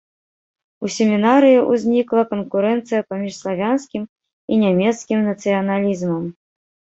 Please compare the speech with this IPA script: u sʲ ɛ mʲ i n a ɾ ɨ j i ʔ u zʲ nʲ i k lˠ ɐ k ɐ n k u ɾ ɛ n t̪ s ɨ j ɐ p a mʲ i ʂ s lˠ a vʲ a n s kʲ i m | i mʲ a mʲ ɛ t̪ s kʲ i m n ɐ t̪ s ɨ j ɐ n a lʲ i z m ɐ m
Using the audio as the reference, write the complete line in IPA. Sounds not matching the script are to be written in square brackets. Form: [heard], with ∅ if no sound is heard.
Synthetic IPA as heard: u sʲ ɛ mʲ i n a ɾ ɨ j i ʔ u zʲ nʲ i k lˠ ɐ k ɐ n k u ɾ ɛ n t̪ s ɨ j ɐ p a mʲ i ʂ s lˠ a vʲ a n s kʲ i m | i [nʲ] a mʲ ɛ t̪ s kʲ i m n ɐ t̪ s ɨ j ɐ n a lʲ i z m ɐ m